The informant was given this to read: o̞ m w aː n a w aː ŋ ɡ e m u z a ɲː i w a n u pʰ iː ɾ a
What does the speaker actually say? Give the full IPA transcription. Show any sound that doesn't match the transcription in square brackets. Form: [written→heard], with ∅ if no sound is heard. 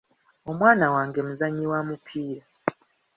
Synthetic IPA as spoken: o̞ m w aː n a w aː ŋ ɡ e m u z a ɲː i w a [n→m] u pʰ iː ɾ a